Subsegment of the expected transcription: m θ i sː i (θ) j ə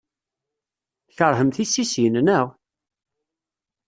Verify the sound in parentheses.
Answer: incorrect: s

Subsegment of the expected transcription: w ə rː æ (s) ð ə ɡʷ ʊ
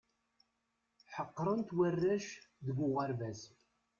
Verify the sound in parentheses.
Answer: incorrect: ʃ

